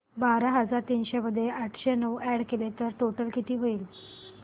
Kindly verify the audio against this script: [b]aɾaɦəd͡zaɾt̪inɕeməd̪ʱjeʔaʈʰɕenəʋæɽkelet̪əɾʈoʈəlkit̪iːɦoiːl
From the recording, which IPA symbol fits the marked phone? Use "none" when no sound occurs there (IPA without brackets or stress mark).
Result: b